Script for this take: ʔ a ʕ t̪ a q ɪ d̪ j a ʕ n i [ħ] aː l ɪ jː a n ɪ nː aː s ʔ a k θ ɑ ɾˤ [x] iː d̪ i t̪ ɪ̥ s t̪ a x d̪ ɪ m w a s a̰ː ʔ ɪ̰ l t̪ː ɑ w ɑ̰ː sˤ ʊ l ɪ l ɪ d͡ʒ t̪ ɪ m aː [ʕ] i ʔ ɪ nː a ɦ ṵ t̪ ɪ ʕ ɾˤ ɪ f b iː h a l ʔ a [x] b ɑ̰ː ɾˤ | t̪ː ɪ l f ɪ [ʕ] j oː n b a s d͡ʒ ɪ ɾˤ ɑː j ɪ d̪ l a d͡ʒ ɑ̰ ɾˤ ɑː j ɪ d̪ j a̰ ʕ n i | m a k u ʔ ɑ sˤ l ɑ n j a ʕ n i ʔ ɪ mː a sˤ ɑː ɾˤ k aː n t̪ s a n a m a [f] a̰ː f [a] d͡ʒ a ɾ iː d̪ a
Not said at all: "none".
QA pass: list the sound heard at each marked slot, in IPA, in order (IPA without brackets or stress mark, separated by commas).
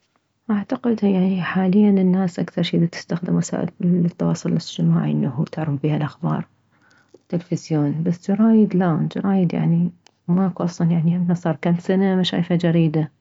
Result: ħ, ʃ, ʕ, x, z, ʃ, a